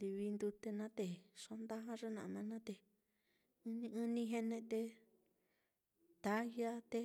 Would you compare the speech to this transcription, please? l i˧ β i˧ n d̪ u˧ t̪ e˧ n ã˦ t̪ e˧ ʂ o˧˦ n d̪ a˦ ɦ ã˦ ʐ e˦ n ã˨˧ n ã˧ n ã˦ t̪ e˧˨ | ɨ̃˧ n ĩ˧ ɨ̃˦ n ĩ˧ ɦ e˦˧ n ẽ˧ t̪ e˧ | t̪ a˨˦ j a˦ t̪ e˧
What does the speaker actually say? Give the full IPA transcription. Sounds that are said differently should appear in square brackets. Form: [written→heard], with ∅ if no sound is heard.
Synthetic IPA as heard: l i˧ β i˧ n d̪ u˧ t̪ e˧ n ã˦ t̪ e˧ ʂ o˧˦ n d̪ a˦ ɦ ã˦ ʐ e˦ n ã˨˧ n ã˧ n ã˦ t̪ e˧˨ | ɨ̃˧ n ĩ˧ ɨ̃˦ n ĩ˧ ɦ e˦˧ n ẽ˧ t̪ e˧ | t̪ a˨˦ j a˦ t̪ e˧